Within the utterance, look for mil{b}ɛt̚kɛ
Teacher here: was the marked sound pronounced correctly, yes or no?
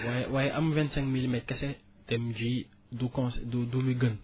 no